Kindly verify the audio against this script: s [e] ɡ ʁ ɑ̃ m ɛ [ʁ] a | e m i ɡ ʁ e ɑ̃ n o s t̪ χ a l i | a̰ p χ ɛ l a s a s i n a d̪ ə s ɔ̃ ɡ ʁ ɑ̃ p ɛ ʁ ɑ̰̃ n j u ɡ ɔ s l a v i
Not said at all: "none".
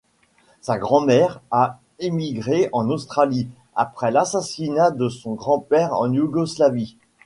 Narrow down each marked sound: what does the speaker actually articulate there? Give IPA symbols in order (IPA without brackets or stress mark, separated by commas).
a, ʁ